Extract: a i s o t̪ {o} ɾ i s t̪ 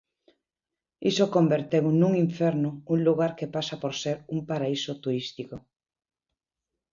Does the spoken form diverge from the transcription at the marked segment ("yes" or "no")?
yes